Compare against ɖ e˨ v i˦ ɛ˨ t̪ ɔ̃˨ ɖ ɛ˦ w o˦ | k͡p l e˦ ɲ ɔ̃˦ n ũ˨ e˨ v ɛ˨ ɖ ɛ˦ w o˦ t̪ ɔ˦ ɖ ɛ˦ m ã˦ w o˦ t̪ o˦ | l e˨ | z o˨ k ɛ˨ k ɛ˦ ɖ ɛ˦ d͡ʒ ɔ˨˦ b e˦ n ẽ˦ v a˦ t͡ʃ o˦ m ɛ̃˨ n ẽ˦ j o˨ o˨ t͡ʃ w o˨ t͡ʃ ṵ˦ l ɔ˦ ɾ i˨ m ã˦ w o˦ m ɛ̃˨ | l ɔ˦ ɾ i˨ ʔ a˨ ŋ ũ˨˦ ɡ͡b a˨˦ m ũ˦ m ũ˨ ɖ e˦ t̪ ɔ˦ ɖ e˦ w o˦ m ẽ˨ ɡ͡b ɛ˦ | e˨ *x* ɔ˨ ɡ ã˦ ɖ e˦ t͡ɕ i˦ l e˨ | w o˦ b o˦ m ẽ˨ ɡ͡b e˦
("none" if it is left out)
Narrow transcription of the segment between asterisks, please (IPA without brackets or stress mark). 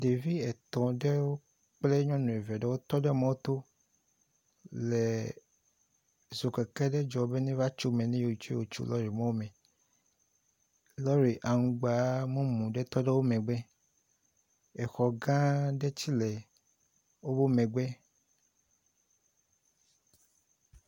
x